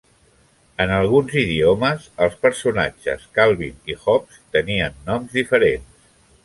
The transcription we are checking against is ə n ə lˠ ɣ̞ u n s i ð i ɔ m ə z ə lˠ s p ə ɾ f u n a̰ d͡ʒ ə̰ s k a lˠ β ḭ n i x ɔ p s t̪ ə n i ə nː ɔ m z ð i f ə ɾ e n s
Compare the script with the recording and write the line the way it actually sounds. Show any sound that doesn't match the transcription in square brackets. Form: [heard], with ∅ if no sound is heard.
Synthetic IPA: ə n ə lˠ ɣ̞ u n [z] i ð i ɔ m ə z ə lˠ s p ə ɾ [s] u n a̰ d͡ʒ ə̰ s k a lˠ β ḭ n i x ɔ p s t̪ ə n i ə nː ɔ m z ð i f ə ɾ e n s